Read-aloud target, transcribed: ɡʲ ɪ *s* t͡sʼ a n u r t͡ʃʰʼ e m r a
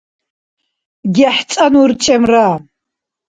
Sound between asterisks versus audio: incorrect: ħ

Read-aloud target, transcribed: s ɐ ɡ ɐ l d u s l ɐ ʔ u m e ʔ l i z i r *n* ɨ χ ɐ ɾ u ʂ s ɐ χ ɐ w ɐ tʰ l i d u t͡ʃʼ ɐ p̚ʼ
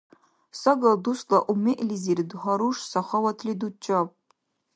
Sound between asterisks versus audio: incorrect: d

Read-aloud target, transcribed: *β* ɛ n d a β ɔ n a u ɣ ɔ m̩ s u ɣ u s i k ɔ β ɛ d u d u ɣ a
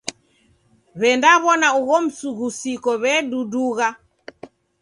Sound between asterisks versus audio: correct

